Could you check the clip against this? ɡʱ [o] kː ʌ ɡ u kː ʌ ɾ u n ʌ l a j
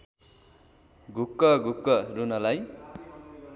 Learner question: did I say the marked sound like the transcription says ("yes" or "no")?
no